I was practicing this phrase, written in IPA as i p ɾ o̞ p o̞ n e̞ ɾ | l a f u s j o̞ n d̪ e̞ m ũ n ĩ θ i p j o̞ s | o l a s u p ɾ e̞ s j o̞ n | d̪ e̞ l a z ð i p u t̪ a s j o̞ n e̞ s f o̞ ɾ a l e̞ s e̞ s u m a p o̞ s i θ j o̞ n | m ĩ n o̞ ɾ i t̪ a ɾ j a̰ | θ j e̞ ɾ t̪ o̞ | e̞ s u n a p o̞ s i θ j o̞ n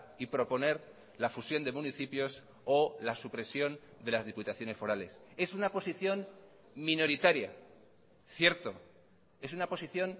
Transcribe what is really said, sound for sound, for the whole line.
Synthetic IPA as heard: i p ɾ o̞ p o̞ n e̞ ɾ | l a f u s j o̞ n d̪ e̞ m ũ n i θ i p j o̞ s | o l a s u p ɾ e̞ s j o̞ n | d̪ e̞ l a z ð i p u t̪ a θ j o̞ n e̞ s f o̞ ɾ a l e̞ s e̞ s u n a p o̞ s i θ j o̞ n | m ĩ n o̞ ɾ i t̪ a ɾ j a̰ | θ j e̞ ɾ t̪ o̞ | e̞ s u n a p o̞ s i θ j o̞ n